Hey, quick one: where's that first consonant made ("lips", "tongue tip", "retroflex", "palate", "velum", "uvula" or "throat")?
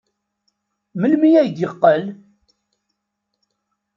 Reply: lips